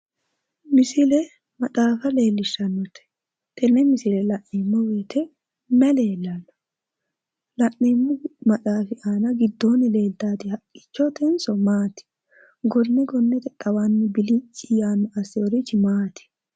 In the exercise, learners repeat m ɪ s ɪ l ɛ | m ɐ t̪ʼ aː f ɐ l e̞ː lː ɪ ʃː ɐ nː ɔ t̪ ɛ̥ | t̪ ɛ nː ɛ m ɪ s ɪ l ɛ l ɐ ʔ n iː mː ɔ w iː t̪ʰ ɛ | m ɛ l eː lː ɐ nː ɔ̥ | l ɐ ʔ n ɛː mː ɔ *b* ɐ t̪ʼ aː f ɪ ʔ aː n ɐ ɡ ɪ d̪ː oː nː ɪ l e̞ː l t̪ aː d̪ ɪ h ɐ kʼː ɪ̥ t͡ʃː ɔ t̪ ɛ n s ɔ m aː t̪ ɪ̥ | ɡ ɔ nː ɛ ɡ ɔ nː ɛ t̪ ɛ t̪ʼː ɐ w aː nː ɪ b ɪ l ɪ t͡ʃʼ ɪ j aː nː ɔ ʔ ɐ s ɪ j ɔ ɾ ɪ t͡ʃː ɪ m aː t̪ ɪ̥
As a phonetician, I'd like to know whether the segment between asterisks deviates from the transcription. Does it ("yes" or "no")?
yes